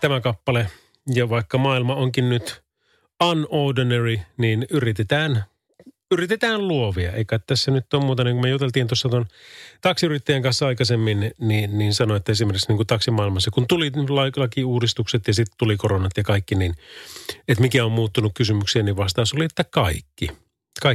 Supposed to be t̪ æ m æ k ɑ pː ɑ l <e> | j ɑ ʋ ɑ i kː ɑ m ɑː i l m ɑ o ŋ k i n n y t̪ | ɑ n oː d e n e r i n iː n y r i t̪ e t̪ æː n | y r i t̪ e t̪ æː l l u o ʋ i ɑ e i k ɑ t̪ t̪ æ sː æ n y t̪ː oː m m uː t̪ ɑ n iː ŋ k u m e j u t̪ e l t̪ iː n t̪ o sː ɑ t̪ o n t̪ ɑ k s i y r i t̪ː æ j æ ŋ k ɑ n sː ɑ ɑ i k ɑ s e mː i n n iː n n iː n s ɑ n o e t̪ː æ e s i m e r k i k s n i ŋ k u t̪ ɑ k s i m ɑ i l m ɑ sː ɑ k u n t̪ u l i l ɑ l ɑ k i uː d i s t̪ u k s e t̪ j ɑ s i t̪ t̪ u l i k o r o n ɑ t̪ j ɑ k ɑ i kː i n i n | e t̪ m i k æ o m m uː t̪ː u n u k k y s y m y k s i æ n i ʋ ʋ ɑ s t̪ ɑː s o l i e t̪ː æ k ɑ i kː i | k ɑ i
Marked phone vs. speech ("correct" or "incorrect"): correct